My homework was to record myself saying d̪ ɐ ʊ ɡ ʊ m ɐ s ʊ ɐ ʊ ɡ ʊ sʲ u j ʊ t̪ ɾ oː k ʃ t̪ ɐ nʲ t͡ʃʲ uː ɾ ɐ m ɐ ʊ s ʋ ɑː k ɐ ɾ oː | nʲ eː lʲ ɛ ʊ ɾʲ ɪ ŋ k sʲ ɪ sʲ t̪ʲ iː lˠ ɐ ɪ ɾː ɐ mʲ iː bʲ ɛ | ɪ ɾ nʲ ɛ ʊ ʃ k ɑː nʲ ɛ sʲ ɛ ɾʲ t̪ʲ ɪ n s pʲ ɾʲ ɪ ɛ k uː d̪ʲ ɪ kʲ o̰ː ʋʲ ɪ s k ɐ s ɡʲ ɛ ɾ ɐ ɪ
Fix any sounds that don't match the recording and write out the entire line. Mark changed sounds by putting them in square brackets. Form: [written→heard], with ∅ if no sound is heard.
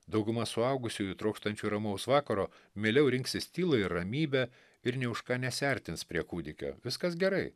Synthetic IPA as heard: d̪ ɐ ʊ ɡ ʊ m ɐ s ʊ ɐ ʊ ɡ ʊ sʲ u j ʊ t̪ ɾ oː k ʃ t̪ ɐ nʲ t͡ʃʲ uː ɾ ɐ m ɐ ʊ s ʋ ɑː k ɐ ɾ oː | [nʲ→mʲ] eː lʲ ɛ ʊ ɾʲ ɪ ŋ k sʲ ɪ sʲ t̪ʲ iː lˠ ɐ ɪ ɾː ɐ mʲ iː bʲ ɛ | ɪ ɾ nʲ ɛ ʊ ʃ k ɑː nʲ ɛ sʲ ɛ ɾʲ t̪ʲ ɪ n s pʲ ɾʲ [ɪ→i] ɛ k uː d̪ʲ ɪ kʲ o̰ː ʋʲ ɪ s k ɐ s ɡʲ ɛ ɾ ɐ ɪ